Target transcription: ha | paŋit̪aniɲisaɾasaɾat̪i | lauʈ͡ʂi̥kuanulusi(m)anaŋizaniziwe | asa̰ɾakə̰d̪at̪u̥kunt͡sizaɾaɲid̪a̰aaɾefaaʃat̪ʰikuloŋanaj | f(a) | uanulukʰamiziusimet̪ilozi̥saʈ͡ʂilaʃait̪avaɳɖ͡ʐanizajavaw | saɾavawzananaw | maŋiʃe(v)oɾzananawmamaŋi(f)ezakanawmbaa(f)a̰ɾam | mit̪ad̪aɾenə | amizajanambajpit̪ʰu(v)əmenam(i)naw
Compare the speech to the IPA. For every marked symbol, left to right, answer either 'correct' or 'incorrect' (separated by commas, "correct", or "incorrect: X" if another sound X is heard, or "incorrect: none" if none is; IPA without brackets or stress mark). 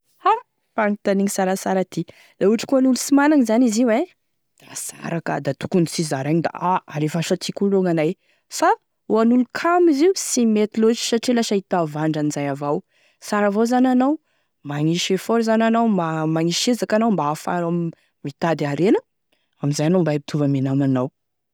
correct, correct, incorrect: f, incorrect: ʃ, correct, correct, incorrect: a